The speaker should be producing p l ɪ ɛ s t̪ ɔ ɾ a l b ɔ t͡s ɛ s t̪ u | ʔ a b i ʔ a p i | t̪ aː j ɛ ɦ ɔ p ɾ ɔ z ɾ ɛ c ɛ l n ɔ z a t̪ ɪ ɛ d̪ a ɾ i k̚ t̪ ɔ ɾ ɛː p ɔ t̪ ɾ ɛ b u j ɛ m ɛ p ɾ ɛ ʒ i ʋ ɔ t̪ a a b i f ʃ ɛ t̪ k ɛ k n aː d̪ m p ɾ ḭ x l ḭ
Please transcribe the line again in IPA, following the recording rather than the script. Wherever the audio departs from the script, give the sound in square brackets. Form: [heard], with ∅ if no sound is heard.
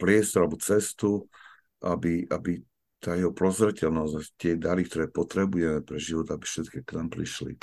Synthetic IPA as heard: p [ɾ] ɪ ɛ s t̪ ɔ ɾ a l b ɔ t͡s ɛ s t̪ u | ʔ a b i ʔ a [b] i | t̪ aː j ɛ ɦ ɔ p ɾ ɔ z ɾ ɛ c ɛ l n ɔ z a t̪ ɪ ɛ d̪ a ɾ i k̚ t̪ ɔ ɾ ɛː p ɔ t̪ ɾ ɛ b u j ɛ m ɛ p ɾ ɛ ʒ i ʋ ɔ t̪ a a b i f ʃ ɛ t̪ k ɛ k n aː [∅] m p ɾ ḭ [ʃ] l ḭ